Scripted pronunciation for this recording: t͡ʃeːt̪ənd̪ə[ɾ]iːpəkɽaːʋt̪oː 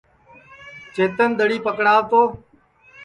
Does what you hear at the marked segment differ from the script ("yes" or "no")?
yes